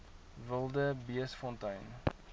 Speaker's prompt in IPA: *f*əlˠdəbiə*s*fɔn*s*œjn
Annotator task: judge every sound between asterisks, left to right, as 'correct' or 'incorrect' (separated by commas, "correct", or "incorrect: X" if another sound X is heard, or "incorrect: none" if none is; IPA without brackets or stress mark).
incorrect: v, correct, incorrect: t